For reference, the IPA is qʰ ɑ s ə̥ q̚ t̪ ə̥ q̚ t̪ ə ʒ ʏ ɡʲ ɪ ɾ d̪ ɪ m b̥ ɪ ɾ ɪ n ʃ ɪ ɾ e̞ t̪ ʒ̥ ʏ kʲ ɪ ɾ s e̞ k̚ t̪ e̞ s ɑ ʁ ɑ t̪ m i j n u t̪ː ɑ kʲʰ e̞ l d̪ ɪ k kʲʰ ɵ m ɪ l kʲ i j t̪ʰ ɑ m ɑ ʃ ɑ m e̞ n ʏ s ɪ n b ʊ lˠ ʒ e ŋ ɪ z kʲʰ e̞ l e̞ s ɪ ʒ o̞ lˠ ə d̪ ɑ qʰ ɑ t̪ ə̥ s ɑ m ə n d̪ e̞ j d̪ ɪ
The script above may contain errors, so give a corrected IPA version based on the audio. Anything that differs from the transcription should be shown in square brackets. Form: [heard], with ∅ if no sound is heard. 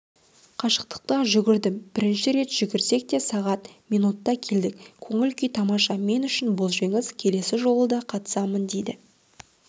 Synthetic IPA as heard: qʰ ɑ [ʃ] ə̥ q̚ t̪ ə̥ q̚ t̪ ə ʒ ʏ ɡʲ ɪ ɾ d̪ ɪ m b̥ ɪ ɾ ɪ n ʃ ɪ ɾ e̞ t̪ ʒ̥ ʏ [ɡʲ] ɪ ɾ s e̞ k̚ t̪ e̞ s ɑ ʁ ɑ t̪ m i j n u t̪ː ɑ kʲʰ e̞ l d̪ ɪ k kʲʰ ɵ [ŋ] ɪ l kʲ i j t̪ʰ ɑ m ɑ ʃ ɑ m e̞ n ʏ [ʃ] ɪ n b ʊ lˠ ʒ e ŋ ɪ z kʲʰ e̞ l e̞ s ɪ ʒ o̞ lˠ ə d̪ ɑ qʰ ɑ t̪ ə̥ s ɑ m ə n d̪ e̞ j d̪ ɪ

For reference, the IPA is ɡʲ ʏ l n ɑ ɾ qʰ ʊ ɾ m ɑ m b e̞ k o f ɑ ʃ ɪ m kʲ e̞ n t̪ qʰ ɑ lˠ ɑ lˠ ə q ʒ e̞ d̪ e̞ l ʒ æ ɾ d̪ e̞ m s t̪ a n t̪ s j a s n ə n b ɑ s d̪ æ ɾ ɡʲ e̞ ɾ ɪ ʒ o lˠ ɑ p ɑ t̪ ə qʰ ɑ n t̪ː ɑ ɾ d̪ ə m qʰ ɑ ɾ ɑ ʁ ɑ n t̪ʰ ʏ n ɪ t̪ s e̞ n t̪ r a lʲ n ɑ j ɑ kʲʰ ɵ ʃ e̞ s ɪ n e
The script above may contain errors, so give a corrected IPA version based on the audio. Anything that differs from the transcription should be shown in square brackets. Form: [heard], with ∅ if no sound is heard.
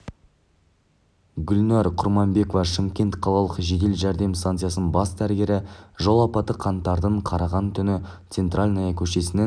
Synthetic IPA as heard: ɡʲ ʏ l n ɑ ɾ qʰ ʊ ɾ m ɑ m b e̞ k o [v] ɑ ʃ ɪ m kʲ e̞ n t̪ qʰ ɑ lˠ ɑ lˠ ə q ʒ e̞ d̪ e̞ l ʒ æ ɾ d̪ e̞ m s t̪ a n t̪ s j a s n ə n b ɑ s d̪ æ ɾ ɡʲ e̞ ɾ ɪ ʒ o lˠ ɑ p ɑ t̪ ə qʰ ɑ n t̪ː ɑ ɾ d̪ ə [ɴ] qʰ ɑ ɾ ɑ ʁ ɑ n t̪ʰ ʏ n ɪ t̪ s e̞ n t̪ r a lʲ n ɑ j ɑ kʲʰ ɵ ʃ e̞ s ɪ n e

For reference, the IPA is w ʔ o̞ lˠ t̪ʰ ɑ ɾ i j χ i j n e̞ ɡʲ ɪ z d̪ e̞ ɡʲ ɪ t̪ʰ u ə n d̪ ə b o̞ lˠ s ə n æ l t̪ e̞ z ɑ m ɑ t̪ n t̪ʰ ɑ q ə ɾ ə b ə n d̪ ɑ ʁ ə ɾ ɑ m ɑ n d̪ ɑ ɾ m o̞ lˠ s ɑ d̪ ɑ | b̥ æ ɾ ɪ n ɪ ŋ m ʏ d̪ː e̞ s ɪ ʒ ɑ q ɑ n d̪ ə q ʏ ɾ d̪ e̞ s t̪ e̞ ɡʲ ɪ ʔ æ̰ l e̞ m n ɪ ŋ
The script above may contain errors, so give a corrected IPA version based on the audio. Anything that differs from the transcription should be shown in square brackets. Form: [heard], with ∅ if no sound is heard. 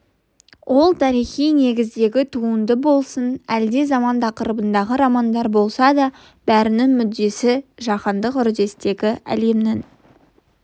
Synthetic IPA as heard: w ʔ o̞ lˠ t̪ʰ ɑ ɾ i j χ i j n e̞ ɡʲ ɪ z d̪ e̞ ɡʲ ɪ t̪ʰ u ə n d̪ ə b o̞ lˠ s ə n æ l [d̪] e̞ z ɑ m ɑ [∅] n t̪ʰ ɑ q ə ɾ ə b ə n d̪ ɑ ʁ ə ɾ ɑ m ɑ n d̪ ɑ ɾ [b] o̞ lˠ s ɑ d̪ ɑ | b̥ æ ɾ ɪ n ɪ ŋ m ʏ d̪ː e̞ s ɪ ʒ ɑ q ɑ n d̪ ə q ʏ ɾ d̪ e̞ s t̪ e̞ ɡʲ ɪ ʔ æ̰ l e̞ m n ɪ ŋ

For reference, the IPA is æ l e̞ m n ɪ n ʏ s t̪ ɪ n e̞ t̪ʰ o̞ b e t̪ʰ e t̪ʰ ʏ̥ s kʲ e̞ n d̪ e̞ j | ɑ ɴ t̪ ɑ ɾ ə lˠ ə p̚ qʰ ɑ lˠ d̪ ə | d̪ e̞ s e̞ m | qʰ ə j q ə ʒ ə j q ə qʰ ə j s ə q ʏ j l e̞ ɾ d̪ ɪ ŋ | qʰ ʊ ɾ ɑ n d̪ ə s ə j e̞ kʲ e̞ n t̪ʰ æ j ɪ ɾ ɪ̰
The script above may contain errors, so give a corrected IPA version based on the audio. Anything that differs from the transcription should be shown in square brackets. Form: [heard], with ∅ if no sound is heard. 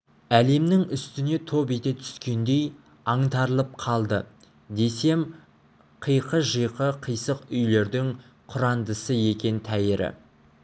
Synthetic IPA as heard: æ l e̞ m n ɪ [ŋ] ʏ s t̪ ɪ n e̞ t̪ʰ o̞ b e [t̪] e t̪ʰ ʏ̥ s kʲ e̞ n d̪ e̞ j | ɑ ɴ t̪ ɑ ɾ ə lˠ ə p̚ qʰ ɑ lˠ d̪ ə | d̪ e̞ s e̞ m | qʰ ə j q ə ʒ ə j q ə qʰ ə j s ə q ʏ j l e̞ ɾ d̪ ɪ ŋ | qʰ ʊ ɾ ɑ n d̪ ə s ə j e̞ kʲ e̞ n t̪ʰ æ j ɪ ɾ ɪ̰

